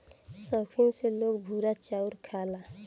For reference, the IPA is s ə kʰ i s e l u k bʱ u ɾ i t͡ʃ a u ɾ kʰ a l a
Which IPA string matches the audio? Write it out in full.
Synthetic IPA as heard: s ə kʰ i s e l o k bʱ u ɾ a t͡ʃ a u ɾ kʰ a l a